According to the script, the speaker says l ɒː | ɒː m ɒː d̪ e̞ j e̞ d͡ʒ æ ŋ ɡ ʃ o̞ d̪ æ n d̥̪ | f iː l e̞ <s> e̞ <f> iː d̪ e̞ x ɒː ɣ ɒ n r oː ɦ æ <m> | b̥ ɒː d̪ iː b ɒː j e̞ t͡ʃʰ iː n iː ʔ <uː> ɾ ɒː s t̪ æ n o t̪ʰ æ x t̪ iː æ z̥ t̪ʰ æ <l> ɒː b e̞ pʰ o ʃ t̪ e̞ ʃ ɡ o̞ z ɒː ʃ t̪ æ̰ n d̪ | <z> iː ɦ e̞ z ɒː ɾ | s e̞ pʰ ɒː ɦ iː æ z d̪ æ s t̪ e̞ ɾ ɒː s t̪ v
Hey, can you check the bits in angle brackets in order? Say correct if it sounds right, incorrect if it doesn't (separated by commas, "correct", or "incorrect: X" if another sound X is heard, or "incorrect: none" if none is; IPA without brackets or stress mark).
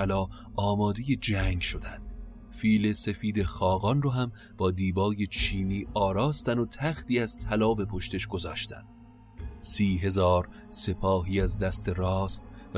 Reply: correct, correct, correct, incorrect: ɒː, correct, incorrect: s